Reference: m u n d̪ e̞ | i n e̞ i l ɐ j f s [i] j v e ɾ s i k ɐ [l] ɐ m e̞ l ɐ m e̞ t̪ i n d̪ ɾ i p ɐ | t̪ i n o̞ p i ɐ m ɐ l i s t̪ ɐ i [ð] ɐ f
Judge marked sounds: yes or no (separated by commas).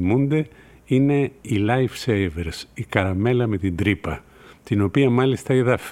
no, no, yes